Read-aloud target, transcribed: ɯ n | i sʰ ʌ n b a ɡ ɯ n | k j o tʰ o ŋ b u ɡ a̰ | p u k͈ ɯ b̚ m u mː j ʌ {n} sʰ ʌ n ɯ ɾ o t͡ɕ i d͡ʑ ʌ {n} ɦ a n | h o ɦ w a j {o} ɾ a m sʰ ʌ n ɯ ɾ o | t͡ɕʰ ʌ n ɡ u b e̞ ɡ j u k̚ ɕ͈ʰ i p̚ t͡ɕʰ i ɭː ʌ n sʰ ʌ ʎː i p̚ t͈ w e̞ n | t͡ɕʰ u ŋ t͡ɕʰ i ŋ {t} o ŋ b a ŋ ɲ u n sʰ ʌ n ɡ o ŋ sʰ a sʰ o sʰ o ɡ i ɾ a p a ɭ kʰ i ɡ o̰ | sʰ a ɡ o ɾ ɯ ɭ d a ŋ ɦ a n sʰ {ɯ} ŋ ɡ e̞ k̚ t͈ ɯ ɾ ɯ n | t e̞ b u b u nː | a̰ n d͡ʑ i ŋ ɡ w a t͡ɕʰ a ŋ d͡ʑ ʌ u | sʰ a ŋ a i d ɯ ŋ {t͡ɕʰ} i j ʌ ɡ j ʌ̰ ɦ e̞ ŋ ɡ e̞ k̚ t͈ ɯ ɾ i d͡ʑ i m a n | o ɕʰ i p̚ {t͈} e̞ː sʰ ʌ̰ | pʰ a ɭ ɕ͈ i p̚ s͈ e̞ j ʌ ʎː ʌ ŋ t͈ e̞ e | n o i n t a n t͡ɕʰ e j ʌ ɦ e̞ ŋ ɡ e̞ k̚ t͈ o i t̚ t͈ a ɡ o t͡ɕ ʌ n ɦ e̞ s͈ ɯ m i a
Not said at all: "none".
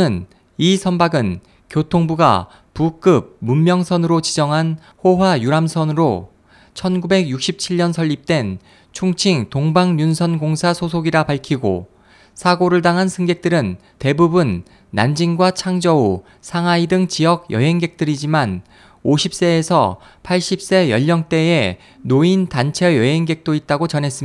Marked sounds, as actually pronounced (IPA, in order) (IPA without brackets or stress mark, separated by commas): ŋ, ŋ, u, t, ɯ, t͡ɕ, s͈